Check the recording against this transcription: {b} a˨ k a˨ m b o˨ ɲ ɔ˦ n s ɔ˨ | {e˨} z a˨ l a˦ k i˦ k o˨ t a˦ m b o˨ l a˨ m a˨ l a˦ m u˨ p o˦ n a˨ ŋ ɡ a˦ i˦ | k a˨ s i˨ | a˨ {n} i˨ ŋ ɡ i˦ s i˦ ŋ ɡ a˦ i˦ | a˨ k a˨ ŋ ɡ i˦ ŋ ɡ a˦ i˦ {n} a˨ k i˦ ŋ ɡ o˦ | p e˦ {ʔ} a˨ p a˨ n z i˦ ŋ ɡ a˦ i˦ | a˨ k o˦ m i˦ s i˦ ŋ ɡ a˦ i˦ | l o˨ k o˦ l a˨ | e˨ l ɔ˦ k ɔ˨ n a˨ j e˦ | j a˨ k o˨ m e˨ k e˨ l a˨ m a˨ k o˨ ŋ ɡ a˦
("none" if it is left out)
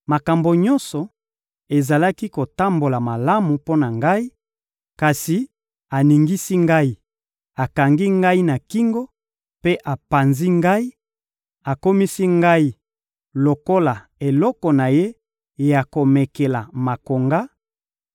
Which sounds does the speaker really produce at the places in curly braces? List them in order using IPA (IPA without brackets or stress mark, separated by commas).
m, e˨, n, n, ʔ